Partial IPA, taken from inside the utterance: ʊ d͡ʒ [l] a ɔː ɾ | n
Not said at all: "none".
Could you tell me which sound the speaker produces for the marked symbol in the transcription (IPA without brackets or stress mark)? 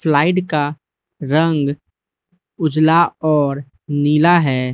l